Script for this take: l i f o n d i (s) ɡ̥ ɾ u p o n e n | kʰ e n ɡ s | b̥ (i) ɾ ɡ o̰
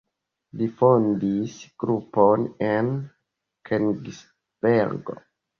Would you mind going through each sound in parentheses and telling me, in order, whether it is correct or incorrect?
correct, incorrect

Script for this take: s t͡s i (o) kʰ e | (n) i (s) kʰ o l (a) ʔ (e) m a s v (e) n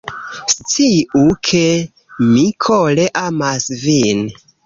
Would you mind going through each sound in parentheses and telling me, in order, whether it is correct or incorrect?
incorrect, incorrect, incorrect, incorrect, incorrect, incorrect

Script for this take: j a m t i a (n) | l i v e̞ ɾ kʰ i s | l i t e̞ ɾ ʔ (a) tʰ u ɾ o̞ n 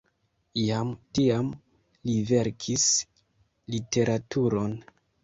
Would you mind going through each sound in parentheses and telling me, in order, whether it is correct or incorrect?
incorrect, correct

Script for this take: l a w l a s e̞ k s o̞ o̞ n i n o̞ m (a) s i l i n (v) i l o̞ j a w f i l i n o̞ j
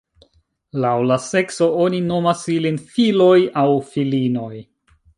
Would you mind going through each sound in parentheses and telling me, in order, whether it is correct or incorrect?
correct, incorrect

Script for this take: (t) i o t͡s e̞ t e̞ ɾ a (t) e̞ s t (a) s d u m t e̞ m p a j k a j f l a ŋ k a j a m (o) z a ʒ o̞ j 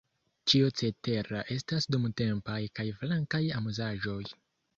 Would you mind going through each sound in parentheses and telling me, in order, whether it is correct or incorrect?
incorrect, incorrect, correct, incorrect

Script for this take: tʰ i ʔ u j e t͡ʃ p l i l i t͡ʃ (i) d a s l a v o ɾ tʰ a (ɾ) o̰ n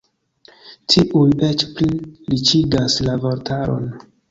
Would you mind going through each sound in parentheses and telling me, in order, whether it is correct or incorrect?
correct, correct

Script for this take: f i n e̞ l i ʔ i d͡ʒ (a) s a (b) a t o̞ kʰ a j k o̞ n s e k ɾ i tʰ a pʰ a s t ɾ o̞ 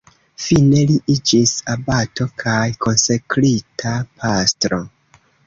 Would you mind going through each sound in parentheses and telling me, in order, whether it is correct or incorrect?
incorrect, correct

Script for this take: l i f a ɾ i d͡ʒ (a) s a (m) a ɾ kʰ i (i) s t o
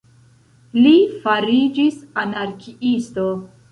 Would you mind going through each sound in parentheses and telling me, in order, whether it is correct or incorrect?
incorrect, incorrect, correct

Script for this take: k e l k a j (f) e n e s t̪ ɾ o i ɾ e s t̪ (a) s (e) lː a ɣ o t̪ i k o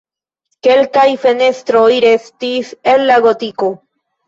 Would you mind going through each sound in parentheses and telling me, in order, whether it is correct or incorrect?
correct, incorrect, correct

